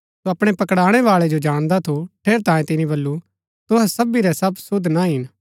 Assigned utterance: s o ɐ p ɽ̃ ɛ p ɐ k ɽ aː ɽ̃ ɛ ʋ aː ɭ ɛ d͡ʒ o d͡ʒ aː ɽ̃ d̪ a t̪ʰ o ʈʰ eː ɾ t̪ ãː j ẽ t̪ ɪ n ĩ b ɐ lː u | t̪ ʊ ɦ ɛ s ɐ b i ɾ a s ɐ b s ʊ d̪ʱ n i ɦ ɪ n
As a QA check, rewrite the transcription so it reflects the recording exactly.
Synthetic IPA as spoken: s o ɐ p ɽ̃ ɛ p ɐ k ɽ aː ɽ̃ ɛ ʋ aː ɭ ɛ d͡ʒ o d͡ʒ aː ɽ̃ d̪ a t̪ʰ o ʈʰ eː ɾ t̪ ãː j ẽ t̪ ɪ n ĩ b ɐ lː u | t̪ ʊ ɦ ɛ s ɐ b i ɾ ɛ s ɐ b s ʊ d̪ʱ n a ɦ ɪ n